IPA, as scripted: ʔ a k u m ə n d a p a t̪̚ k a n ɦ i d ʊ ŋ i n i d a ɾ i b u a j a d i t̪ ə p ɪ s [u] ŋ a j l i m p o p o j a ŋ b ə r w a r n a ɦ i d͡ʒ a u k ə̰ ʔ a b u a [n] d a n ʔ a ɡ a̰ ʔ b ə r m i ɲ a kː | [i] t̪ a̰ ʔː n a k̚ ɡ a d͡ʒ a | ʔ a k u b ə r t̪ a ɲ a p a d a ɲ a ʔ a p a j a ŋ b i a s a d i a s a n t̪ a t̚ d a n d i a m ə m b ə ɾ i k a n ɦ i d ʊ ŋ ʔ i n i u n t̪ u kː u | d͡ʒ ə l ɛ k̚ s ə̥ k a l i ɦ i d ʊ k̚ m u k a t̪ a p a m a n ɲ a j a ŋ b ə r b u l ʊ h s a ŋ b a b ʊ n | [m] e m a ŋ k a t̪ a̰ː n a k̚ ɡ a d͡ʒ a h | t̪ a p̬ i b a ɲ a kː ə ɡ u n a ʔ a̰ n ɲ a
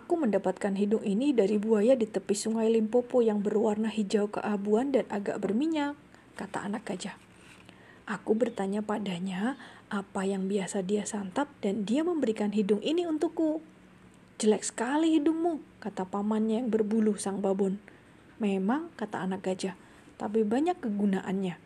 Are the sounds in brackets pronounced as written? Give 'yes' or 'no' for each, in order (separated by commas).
yes, yes, no, yes